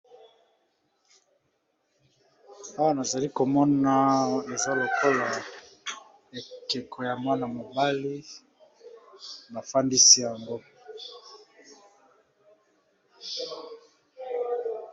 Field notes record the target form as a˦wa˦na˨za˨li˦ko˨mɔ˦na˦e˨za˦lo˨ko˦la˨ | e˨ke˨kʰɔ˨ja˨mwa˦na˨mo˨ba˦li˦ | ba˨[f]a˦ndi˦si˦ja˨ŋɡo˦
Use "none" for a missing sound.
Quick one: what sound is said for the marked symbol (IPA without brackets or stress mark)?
f